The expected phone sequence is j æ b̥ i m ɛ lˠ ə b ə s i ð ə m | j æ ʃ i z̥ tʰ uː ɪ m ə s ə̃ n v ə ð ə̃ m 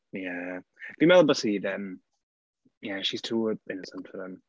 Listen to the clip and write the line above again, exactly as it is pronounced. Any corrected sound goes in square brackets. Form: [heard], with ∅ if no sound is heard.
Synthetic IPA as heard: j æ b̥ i m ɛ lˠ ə b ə s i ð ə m | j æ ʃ i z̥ tʰ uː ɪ [n] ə s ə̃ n [f] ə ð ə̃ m

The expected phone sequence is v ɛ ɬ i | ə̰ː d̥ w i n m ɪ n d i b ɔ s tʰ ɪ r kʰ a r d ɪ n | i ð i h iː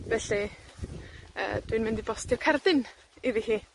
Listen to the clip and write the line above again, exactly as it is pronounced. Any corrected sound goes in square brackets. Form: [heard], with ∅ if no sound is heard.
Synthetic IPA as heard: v ɛ ɬ i | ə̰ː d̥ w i n m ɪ n d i b ɔ s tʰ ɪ r kʰ a r d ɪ n | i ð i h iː

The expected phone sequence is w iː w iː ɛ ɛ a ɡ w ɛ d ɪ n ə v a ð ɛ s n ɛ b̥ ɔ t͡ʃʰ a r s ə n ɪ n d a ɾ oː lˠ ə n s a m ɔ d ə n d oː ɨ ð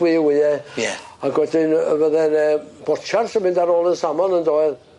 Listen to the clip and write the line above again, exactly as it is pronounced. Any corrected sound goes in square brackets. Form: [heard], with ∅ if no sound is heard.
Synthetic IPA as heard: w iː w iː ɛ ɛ a ɡ w ɛ d ɪ n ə v [ə] ð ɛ [∅] n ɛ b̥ ɔ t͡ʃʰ a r s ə [m] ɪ n d a ɾ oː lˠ ə n s a m ɔ [n] ə n d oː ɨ ð

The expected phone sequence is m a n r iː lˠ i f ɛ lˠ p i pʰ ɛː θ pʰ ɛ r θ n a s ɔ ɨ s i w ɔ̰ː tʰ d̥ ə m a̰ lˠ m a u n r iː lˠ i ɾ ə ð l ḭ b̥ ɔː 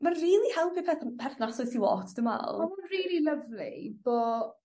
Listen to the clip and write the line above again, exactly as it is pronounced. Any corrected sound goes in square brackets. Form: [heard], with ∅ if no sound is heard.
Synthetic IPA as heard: m a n r iː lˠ i [h] ɛ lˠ p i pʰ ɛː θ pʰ ɛ r θ n a s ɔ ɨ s i w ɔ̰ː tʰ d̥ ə m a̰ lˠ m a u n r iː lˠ i [l] ə [v] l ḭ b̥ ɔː

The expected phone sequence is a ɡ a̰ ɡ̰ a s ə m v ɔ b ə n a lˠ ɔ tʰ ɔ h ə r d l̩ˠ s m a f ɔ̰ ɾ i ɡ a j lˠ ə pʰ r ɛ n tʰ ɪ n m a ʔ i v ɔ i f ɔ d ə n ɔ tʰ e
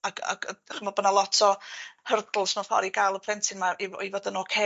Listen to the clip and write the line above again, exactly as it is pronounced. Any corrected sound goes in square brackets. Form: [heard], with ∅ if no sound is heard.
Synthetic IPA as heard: a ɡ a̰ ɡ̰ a [χ] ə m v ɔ b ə n a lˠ ɔ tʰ ɔ h ə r d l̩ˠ s m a f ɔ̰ ɾ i ɡ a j lˠ ə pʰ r ɛ n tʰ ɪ n m a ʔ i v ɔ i [v] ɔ d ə n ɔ [kʰ] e

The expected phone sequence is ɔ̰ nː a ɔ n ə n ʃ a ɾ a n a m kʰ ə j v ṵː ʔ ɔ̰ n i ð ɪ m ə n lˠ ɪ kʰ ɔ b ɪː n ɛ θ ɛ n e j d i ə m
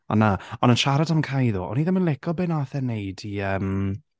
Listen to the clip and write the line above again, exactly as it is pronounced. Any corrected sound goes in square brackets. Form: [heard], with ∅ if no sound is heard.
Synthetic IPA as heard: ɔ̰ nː a ɔ n ə n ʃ a ɾ a [d] a m kʰ [a] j [ð] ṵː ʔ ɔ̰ n i ð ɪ m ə n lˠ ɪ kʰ ɔ b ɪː n [a] θ ɛ n e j d i ə m

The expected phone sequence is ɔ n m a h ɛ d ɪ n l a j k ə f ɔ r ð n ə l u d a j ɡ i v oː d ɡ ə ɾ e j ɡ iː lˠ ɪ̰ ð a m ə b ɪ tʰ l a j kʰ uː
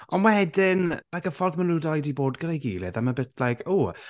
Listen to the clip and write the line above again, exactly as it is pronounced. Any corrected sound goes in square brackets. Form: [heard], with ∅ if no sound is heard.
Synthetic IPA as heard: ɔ n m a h ɛ d ɪ n l a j k ə f ɔ r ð [m] ə l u d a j [d] i [b] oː d ɡ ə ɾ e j ɡ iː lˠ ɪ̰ ð a m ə b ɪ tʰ l a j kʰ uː

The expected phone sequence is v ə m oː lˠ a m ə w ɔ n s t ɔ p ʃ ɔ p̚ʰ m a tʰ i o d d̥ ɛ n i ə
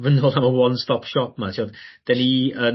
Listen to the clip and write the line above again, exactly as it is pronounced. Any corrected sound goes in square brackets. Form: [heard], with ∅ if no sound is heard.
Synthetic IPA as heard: v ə [n] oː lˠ a m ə w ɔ n s t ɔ p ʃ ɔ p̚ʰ m a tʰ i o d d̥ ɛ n i ə

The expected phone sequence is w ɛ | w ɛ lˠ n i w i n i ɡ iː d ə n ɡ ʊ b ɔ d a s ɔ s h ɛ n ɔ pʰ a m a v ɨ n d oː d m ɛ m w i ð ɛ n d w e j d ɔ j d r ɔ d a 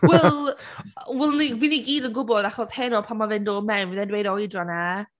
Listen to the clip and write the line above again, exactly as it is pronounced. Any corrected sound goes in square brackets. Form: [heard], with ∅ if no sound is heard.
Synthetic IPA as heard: w ɛ | w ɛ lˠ n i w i n i ɡ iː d ə n ɡ ʊ b ɔ d a [χ] ɔ s h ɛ n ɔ pʰ a m a v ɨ n d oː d m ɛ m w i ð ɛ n d w e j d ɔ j d r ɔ [n] a

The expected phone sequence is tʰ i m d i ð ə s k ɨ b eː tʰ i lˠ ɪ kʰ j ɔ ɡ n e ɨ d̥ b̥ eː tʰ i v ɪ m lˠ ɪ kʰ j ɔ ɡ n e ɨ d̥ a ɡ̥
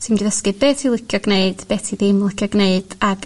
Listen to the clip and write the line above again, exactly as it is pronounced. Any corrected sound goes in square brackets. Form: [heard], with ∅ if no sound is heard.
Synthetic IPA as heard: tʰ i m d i ð ə s k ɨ b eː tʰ i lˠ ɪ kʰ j ɔ ɡ n e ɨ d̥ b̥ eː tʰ i [ð] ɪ m lˠ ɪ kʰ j ɔ ɡ n e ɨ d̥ a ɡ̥

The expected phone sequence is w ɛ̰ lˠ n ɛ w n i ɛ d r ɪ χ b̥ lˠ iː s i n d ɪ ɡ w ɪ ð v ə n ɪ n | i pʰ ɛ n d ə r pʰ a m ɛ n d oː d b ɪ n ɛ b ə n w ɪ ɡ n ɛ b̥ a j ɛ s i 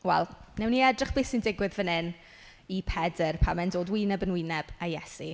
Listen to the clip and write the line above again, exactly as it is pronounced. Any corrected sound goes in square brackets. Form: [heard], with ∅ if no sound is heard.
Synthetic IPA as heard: w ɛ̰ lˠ n ɛ w n i ɛ d r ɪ χ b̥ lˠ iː s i n d ɪ ɡ w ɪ ð v ə n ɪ n | i pʰ ɛ [∅] d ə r pʰ a m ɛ n d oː d [w] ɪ n ɛ b ə n w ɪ [∅] n ɛ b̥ a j ɛ s i

